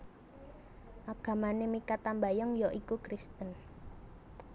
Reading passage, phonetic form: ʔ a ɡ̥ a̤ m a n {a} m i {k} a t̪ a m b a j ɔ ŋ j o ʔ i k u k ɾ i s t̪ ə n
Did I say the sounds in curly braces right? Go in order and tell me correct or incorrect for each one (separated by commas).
incorrect, correct